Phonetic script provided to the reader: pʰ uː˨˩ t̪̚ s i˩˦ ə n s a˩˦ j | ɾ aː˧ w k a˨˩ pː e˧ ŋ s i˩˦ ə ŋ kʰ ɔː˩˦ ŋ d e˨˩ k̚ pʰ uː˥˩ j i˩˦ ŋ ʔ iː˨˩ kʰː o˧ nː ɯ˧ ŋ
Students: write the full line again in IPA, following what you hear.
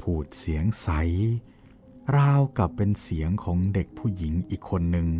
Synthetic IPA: pʰ uː˨˩ t̪̚ s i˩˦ ə ŋ s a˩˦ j | ɾ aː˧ w k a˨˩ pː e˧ n s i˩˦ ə ŋ kʰ ɔː˩˦ ŋ d e˨˩ k̚ pʰ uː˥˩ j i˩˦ ŋ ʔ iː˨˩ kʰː o˧ nː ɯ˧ ŋ